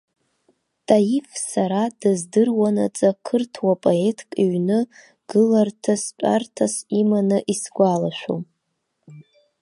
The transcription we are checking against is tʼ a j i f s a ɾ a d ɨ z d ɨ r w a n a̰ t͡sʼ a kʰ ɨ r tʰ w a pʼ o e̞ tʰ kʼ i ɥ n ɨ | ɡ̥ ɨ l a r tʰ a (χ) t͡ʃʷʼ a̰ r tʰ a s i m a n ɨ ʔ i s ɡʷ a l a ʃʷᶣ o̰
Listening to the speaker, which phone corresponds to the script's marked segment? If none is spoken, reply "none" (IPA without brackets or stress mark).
s